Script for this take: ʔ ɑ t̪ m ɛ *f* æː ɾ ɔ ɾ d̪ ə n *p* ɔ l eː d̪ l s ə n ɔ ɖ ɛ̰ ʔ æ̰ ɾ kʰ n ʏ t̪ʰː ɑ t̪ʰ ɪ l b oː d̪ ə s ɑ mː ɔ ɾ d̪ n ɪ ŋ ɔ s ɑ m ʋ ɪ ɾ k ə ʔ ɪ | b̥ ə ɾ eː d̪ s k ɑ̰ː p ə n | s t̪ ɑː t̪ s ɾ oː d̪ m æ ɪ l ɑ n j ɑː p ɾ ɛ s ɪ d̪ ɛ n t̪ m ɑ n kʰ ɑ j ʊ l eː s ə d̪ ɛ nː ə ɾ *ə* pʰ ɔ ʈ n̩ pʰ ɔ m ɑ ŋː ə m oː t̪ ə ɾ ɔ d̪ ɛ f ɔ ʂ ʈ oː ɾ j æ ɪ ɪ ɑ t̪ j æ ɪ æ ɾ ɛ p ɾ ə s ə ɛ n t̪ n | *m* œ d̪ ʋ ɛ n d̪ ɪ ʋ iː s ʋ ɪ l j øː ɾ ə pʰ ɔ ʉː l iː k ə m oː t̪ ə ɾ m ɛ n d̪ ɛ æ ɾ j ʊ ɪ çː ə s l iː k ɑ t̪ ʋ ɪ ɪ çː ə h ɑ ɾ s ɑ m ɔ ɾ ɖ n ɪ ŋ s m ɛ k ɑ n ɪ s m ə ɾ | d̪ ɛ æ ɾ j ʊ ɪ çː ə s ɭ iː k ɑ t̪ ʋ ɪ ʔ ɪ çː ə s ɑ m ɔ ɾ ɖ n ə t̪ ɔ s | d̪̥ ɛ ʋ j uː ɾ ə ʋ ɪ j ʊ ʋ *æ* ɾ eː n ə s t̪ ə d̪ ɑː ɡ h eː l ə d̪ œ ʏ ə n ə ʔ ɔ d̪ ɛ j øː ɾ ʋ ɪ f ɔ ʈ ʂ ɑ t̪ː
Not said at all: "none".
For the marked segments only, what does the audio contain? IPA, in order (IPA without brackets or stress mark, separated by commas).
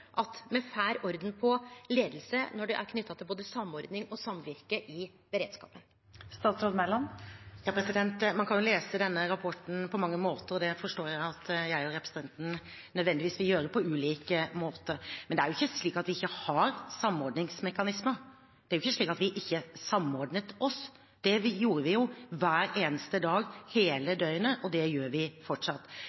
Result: f, pʰ, ɑ, n, æː